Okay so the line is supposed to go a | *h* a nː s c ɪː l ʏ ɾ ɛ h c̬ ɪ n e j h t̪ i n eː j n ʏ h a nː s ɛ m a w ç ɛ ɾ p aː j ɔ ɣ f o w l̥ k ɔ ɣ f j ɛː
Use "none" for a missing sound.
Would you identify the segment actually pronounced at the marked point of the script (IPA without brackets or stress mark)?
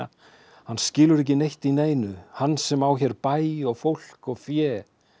h